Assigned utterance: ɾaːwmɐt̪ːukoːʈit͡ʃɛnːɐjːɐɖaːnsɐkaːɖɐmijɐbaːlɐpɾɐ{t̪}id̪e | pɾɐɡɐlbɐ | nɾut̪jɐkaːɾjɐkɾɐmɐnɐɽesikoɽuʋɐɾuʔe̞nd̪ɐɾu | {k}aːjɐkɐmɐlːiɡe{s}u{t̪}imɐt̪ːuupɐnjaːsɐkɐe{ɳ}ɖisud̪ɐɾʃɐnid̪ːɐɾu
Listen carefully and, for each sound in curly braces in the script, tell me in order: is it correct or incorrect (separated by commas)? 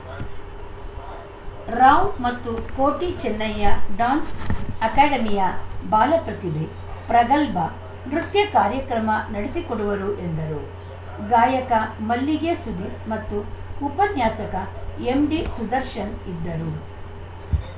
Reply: correct, incorrect, correct, incorrect, incorrect